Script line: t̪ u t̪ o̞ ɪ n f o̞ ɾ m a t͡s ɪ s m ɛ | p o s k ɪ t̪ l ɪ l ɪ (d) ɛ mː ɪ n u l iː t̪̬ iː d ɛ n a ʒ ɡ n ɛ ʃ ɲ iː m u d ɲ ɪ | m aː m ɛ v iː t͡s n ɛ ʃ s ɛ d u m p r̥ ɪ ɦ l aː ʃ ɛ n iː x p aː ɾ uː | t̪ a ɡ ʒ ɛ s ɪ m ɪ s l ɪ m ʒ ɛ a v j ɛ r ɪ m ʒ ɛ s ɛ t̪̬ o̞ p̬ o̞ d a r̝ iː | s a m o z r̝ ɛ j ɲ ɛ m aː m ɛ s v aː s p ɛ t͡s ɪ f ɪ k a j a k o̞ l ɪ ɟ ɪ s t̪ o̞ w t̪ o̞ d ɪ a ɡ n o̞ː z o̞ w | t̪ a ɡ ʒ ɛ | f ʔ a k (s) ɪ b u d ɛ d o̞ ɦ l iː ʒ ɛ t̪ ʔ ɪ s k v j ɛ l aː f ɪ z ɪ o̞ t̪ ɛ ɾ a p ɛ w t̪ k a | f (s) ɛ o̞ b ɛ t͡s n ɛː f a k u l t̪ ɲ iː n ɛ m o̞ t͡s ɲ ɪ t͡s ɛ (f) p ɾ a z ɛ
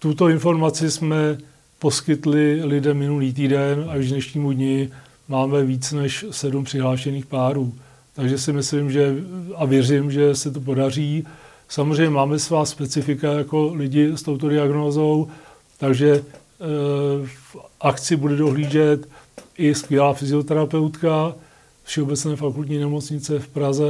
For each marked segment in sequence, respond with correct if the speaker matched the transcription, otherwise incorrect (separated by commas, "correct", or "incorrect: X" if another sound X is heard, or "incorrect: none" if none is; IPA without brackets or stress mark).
correct, incorrect: t͡s, incorrect: ʃ, correct